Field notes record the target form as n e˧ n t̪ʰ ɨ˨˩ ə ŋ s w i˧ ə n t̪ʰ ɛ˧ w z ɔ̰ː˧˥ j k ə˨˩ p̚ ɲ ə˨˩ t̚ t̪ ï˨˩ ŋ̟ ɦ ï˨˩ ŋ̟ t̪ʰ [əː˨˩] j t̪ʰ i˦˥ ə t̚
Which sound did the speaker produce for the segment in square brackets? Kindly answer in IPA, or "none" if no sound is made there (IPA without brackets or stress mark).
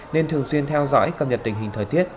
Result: əː˨˩